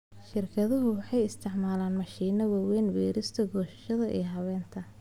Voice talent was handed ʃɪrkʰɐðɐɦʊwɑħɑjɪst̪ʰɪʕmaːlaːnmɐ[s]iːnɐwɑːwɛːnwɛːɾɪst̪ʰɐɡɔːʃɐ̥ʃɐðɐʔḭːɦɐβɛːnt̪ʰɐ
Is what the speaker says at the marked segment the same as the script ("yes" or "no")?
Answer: no